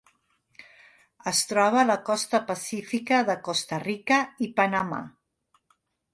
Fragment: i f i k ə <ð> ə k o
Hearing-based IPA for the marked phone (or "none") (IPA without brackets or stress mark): ð